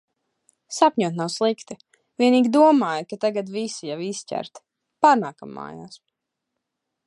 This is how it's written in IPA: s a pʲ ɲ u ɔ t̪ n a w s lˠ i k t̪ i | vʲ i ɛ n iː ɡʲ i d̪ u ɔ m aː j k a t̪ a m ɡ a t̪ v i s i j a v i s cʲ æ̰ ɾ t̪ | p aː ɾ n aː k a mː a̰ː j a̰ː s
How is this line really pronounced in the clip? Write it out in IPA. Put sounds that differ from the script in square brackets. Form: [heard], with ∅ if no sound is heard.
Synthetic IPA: s a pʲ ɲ u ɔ t̪ n a w s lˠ i k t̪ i | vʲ i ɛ n iː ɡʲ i d̪ u ɔ m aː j k a t̪ a [∅] ɡ a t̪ v i s i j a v i s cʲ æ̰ ɾ t̪ | p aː ɾ n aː k a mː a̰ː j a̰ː s